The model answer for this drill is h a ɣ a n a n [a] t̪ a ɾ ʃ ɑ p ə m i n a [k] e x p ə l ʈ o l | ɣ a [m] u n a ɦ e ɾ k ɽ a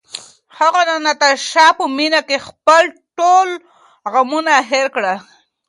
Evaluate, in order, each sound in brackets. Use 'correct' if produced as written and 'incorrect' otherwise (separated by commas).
correct, correct, correct